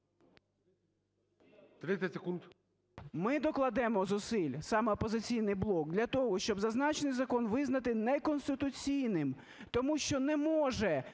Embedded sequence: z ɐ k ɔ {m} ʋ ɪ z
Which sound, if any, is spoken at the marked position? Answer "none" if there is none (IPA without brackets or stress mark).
n